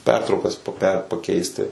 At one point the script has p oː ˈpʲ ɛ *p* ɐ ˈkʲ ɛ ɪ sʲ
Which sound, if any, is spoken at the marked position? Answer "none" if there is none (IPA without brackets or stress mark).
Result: p